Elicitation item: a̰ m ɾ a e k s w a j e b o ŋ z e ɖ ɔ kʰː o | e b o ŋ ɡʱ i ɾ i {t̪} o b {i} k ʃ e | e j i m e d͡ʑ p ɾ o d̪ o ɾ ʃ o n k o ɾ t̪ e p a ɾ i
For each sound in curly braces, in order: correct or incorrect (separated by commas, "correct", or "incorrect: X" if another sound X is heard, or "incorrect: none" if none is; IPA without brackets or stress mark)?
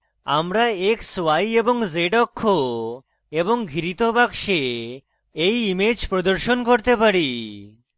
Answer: correct, incorrect: a